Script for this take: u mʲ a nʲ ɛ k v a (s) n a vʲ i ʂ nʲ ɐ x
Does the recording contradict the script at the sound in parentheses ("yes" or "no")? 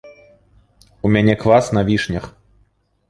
no